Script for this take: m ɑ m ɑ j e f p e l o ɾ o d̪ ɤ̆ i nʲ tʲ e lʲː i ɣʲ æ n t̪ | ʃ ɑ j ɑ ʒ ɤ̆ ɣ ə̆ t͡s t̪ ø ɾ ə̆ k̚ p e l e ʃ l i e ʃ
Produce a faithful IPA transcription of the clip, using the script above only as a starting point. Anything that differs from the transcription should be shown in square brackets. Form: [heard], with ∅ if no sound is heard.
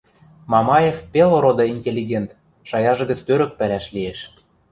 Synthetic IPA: m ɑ m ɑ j e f p e l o ɾ o d̪ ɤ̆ i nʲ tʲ e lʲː i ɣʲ [e] n t̪ | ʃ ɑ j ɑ ʒ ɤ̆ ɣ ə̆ t͡s t̪ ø ɾ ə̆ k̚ p [æ] l [æ] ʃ l i e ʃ